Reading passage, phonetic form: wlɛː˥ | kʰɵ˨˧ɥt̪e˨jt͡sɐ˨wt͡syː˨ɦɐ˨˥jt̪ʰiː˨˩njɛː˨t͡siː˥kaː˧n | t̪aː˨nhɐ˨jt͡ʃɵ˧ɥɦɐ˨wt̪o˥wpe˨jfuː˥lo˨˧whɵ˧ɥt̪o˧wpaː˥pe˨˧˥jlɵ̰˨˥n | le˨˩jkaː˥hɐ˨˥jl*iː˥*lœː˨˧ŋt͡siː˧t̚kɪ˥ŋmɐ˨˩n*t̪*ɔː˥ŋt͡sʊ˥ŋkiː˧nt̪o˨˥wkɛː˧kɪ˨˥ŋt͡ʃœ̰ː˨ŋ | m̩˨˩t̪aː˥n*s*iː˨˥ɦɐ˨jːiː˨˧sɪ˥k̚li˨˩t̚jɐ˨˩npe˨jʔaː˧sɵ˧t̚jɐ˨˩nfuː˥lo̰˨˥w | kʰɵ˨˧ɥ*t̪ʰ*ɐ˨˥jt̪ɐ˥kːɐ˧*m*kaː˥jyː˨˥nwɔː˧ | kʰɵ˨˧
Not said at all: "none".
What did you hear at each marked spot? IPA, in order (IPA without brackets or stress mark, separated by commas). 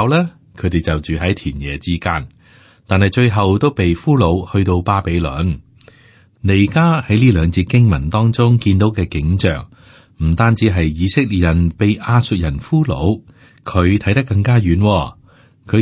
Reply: iː˥, t̪, t͡s, t̪ʰ, ŋ